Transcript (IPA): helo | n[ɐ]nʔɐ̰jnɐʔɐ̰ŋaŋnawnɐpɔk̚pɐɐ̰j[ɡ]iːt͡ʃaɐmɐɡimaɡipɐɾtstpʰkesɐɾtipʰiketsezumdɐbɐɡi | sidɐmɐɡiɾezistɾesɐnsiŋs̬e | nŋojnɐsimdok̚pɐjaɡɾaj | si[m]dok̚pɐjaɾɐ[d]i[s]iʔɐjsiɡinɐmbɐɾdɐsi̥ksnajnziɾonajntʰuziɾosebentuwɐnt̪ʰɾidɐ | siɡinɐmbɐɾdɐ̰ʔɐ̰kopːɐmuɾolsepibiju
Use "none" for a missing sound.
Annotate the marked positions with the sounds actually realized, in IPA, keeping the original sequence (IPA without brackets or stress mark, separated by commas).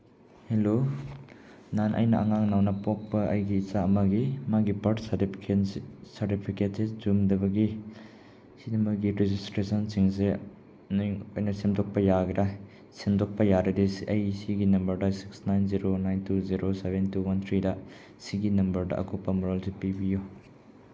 a, ɡ, m, d, s